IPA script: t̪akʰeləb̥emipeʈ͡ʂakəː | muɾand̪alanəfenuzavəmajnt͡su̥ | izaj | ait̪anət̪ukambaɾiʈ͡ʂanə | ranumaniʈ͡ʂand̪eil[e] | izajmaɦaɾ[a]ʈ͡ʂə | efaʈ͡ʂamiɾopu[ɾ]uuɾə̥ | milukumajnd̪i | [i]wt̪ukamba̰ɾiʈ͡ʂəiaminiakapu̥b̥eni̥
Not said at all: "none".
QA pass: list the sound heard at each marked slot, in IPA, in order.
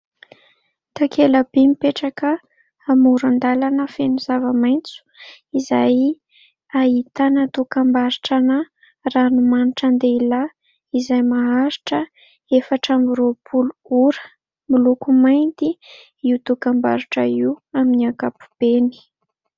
a, i, l, i

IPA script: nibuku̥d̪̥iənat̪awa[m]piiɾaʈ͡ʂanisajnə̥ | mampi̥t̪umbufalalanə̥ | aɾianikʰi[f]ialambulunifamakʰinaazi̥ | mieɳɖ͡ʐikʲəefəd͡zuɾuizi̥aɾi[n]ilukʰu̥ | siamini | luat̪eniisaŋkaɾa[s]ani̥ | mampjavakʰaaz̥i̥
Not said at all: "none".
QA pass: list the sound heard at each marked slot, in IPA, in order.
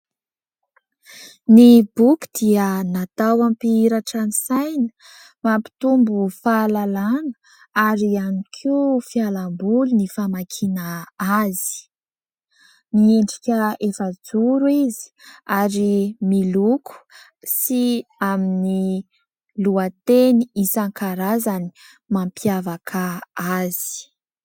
m, f, m, z

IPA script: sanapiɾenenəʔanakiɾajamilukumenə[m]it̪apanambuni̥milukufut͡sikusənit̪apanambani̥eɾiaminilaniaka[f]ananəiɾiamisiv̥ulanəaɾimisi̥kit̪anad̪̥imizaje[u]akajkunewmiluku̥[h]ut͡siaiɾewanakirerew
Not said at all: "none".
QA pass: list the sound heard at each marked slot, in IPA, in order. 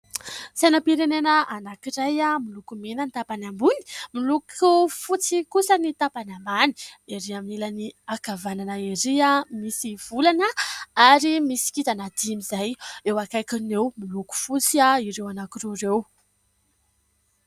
n, v, w, f

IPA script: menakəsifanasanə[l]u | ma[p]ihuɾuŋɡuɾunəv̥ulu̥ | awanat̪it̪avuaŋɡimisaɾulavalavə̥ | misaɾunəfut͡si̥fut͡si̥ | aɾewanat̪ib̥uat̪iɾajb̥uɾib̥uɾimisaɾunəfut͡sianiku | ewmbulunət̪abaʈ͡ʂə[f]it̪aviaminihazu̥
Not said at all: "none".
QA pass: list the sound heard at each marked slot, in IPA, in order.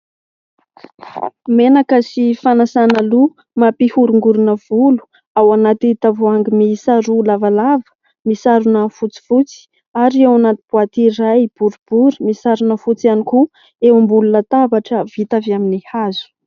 l, p, v

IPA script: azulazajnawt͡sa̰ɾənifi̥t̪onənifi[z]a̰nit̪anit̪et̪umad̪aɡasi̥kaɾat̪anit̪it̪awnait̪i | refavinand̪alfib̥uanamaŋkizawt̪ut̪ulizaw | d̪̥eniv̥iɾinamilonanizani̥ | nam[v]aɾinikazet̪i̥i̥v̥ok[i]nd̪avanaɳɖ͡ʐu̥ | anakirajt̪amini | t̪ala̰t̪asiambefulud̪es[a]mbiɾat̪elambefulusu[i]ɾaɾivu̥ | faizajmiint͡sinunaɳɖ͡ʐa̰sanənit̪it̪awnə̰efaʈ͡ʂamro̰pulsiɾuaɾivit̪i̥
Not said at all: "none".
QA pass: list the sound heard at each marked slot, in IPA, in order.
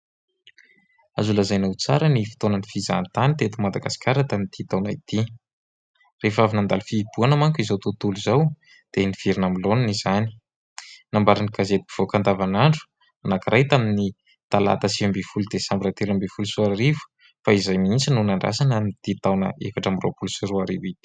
z, b, a, a, a

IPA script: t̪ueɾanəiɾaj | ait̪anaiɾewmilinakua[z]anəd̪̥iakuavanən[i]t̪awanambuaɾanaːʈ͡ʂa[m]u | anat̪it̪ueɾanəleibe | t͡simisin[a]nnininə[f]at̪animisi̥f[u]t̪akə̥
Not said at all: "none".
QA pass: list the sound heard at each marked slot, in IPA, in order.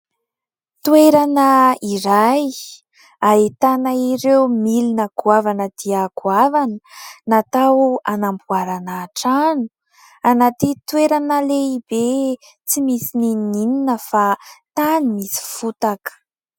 v, a, n, i, f, u

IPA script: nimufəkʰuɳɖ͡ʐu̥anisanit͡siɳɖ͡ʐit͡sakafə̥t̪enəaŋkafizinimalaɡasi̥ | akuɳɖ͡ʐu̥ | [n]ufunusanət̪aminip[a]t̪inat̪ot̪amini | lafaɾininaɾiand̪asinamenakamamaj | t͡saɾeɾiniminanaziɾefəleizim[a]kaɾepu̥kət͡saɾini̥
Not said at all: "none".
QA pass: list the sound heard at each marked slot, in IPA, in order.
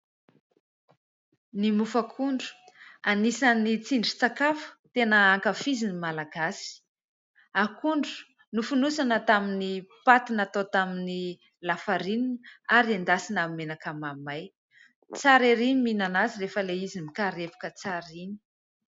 n, a, i

